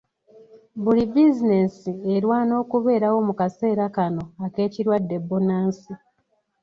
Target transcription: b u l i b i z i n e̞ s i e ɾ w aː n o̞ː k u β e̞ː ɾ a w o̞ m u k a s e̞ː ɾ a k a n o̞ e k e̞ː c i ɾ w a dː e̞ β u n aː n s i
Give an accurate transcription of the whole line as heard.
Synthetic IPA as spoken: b u l i b i z i n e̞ s i e ɾ w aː n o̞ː k u β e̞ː ɾ a w o̞ m u k a s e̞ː ɾ a k a n o̞ a k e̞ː c i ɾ w a dː e̞ b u n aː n s i